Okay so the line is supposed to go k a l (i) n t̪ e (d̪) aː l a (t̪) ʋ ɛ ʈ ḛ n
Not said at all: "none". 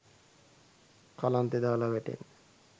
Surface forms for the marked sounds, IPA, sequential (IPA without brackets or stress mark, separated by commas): a, d̪, none